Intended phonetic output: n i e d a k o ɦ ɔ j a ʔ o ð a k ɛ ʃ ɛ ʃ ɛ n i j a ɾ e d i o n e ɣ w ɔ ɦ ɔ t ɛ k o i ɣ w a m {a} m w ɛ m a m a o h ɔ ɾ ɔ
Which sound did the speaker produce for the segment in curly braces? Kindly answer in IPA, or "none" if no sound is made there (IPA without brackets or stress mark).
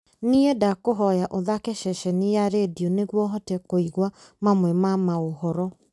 a